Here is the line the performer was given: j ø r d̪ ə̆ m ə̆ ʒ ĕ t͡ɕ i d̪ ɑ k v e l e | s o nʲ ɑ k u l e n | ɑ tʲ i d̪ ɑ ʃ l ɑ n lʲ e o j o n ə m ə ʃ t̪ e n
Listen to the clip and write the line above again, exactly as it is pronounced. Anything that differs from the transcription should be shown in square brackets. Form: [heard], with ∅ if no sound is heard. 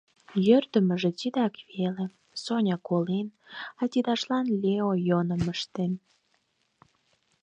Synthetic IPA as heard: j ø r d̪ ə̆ m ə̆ ʒ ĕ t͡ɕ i d̪ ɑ k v e l e | s o nʲ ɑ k [o] l e n | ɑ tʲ i d̪ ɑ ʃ l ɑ n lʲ e o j o n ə m ə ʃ t̪ e n

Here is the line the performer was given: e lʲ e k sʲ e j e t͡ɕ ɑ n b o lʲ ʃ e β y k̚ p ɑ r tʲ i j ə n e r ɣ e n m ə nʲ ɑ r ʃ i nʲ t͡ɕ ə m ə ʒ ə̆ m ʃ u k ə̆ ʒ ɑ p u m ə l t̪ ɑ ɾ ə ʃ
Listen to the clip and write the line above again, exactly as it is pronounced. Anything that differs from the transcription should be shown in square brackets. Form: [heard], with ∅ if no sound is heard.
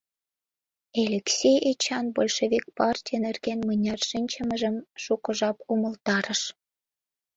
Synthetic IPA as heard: e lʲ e k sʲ e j e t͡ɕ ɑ n b o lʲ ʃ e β [i] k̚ p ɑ r tʲ i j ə n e r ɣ e n m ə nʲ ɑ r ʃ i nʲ t͡ɕ ə m ə ʒ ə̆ m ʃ u k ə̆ ʒ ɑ p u m ə l t̪ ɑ ɾ ə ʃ

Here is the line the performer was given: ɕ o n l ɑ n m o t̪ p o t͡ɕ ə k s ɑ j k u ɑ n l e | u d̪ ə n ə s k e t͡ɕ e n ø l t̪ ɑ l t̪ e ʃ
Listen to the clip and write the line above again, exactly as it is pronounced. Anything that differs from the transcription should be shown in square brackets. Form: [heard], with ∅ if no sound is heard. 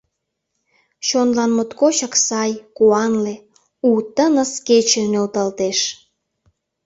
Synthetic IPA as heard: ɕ o n l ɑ n m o t̪ [k] o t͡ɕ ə k s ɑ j k u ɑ n l e | u [t̪] ə n ə s k e t͡ɕ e n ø l t̪ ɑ l t̪ e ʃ

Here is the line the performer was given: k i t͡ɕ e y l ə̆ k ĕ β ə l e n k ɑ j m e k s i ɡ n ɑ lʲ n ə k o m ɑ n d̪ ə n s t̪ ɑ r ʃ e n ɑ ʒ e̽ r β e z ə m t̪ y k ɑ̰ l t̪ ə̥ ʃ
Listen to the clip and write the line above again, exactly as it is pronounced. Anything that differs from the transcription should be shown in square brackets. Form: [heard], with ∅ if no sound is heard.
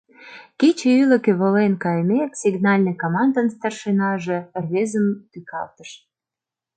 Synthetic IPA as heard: k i t͡ɕ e y l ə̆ k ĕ β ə l e n k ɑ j m e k s i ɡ n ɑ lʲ n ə k o m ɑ n d̪ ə n s t̪ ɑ r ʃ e n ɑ ʒ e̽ r β e z ə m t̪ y k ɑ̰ l t̪ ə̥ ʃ

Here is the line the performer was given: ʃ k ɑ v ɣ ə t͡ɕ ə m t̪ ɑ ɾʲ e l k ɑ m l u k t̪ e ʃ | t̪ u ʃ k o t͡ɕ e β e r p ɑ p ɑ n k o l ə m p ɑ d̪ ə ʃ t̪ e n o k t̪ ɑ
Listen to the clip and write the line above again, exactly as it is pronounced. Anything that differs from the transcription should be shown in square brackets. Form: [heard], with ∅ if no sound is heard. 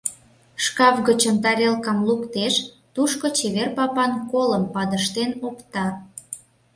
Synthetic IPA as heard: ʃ k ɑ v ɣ ə t͡ɕ ə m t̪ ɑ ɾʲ e l k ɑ m l u k t̪ e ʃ | t̪ u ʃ k o t͡ɕ e β e r p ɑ p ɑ n k o l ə m p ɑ d̪ ə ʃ t̪ e n o k t̪ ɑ

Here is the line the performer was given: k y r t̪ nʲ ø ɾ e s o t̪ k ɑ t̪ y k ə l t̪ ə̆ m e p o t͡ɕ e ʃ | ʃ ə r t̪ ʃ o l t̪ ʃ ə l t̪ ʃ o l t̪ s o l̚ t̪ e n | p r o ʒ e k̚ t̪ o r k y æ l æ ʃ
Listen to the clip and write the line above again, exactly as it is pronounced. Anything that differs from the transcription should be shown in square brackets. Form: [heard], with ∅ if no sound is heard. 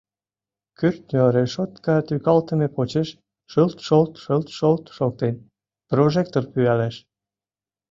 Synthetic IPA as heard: k y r t̪ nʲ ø ɾ e [ʃ] o t̪ k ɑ t̪ y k [ɑ] l t̪ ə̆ m e p o t͡ɕ e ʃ | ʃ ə [l] t̪ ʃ o l t̪ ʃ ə l t̪ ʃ o l t̪ [ʃ] o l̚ t̪ e n | p r o ʒ e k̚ t̪ o r [p] y æ l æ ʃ

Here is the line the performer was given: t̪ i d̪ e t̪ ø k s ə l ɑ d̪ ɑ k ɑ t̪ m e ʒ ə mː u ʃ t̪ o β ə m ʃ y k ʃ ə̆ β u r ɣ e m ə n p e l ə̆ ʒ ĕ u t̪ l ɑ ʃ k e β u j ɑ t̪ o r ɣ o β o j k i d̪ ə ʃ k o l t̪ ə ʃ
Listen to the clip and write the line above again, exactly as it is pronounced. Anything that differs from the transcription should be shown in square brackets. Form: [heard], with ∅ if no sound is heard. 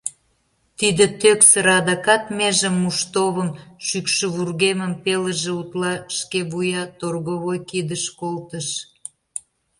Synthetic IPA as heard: t̪ i d̪ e t̪ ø k s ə [ɾ] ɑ d̪ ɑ k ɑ t̪ m e ʒ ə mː u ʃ t̪ o β ə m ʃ y k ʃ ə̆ β u r ɣ e m ə [m] p e l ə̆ ʒ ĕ u t̪ l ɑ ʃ k e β u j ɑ t̪ o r ɣ o β o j k i d̪ ə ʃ k o l t̪ ə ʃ

